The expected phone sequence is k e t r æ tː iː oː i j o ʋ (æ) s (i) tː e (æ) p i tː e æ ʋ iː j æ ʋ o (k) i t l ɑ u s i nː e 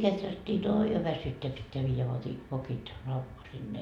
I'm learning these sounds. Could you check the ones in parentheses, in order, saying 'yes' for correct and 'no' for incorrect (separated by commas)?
yes, no, yes, yes